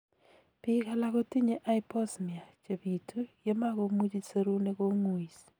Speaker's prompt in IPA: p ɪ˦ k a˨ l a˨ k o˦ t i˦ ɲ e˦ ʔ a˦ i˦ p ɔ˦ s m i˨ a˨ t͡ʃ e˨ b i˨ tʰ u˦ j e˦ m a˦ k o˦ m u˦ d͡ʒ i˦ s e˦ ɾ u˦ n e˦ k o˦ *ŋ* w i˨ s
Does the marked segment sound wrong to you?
no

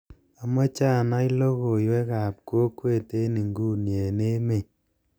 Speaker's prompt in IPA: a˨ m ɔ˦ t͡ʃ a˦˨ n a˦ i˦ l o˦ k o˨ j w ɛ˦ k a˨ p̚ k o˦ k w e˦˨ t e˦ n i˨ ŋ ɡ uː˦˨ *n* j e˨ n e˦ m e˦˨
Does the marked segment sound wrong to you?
no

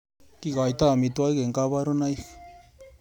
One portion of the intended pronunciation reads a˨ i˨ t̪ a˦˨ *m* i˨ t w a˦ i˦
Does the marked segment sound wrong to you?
no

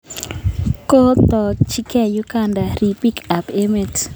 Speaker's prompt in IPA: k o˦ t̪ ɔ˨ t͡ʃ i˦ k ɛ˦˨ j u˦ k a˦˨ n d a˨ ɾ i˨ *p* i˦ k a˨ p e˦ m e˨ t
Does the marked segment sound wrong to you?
no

